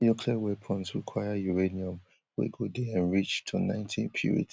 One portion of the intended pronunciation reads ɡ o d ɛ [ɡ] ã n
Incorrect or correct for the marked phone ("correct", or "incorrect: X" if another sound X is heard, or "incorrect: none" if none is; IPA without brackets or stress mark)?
incorrect: none